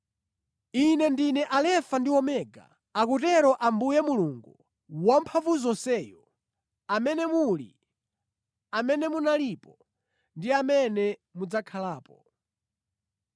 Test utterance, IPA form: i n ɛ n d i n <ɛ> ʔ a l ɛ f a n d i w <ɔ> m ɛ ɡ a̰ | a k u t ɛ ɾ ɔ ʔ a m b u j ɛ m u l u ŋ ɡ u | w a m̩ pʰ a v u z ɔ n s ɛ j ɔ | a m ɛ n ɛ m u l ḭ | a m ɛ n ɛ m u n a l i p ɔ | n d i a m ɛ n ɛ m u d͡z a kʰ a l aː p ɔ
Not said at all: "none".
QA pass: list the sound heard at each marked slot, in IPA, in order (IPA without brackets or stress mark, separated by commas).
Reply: ɛ, ɔ